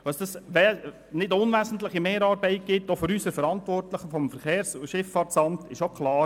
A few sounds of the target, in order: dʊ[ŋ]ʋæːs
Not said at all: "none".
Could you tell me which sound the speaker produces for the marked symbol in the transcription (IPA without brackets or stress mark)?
n